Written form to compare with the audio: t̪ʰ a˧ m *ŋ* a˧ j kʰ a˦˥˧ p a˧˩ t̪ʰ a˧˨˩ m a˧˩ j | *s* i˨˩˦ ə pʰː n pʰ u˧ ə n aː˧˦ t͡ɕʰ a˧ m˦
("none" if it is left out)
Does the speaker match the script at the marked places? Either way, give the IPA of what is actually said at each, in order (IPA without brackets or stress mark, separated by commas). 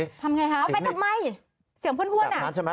ŋ, s